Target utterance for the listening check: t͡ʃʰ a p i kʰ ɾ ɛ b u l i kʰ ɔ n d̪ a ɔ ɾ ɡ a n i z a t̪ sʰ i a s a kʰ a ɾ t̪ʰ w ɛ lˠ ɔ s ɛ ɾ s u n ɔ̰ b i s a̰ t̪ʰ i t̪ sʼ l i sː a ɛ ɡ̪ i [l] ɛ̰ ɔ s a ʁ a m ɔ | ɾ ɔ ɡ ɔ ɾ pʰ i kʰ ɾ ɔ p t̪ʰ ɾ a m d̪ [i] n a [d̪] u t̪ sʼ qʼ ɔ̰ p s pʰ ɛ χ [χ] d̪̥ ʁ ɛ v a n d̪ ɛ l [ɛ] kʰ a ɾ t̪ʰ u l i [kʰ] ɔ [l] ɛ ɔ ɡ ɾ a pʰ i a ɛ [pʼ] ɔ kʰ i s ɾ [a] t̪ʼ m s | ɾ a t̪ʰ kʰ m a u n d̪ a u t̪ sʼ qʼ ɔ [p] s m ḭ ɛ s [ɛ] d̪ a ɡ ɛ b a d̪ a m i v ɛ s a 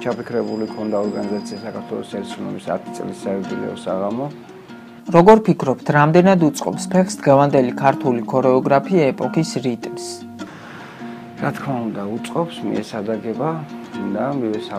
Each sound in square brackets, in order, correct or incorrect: correct, incorrect, correct, incorrect, incorrect, correct, incorrect, correct, incorrect, correct, incorrect

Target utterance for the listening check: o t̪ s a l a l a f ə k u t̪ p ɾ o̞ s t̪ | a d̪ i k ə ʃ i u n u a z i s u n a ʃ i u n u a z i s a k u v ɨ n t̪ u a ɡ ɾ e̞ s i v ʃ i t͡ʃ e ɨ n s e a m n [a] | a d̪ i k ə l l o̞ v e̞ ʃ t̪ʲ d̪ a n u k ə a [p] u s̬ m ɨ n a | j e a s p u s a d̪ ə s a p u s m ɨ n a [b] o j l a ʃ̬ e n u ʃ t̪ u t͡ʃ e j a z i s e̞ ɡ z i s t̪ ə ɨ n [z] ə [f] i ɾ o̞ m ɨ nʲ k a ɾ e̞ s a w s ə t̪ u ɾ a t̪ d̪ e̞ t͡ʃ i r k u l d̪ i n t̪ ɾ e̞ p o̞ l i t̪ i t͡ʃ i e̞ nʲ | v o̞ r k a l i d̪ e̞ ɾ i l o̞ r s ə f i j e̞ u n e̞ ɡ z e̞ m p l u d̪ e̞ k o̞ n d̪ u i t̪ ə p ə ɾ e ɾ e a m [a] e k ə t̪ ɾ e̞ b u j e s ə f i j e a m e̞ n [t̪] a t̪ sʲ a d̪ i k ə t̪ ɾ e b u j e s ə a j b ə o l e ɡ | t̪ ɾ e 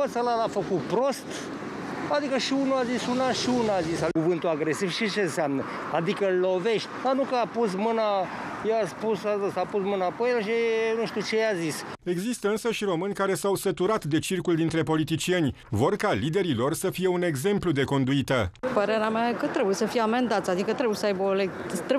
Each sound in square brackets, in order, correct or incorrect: incorrect, correct, incorrect, incorrect, incorrect, correct, incorrect

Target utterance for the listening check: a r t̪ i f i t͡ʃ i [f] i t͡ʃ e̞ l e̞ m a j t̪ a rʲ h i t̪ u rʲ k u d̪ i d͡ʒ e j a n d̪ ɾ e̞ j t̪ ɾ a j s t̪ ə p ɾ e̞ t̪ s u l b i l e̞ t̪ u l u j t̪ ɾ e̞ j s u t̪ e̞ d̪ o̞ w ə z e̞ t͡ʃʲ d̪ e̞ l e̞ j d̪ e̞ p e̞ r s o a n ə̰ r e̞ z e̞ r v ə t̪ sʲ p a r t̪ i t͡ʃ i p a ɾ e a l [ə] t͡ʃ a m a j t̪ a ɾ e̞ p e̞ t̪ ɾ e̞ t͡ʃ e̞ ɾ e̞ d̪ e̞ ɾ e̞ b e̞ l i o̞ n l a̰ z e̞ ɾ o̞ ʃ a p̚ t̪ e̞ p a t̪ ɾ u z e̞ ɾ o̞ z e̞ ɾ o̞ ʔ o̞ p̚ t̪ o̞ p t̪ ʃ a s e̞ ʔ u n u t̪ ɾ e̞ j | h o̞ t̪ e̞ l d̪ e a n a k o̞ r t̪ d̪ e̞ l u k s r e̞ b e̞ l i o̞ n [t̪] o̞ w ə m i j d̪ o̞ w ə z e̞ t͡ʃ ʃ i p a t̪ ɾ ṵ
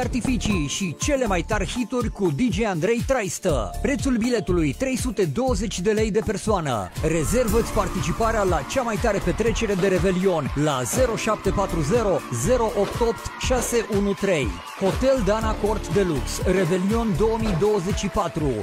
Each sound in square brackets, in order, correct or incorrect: incorrect, incorrect, incorrect

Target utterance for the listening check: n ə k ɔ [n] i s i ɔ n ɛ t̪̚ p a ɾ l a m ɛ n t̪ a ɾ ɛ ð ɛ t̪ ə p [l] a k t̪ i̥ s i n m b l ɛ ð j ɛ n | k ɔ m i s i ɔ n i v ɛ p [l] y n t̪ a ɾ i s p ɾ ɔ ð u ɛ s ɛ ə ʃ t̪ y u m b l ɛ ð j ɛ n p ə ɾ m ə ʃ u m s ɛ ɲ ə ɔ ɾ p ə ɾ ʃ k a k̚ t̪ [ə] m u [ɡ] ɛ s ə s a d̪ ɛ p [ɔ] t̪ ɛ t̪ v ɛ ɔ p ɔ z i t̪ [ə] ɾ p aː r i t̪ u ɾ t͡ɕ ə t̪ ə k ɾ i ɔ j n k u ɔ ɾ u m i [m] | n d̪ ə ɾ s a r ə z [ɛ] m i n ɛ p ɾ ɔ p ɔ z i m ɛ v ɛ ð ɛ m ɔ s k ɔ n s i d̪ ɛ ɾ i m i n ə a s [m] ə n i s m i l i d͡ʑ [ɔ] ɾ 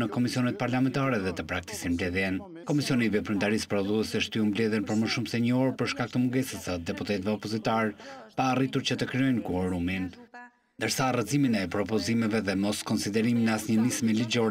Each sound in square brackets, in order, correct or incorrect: incorrect, incorrect, incorrect, correct, correct, incorrect, incorrect, incorrect, incorrect, incorrect, correct

